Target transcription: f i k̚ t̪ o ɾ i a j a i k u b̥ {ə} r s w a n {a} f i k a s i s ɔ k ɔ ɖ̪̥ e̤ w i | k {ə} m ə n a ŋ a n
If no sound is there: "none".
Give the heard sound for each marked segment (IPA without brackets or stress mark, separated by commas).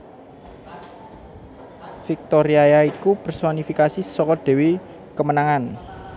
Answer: ə, i, ə